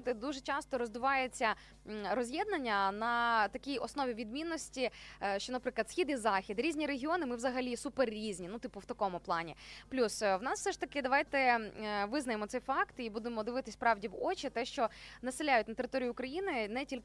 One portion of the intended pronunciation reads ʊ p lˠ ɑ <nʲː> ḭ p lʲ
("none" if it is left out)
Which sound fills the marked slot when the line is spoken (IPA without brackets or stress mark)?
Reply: nʲ